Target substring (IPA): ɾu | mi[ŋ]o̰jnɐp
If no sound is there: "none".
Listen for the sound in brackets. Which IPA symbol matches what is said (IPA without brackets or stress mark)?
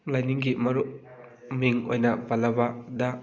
ŋ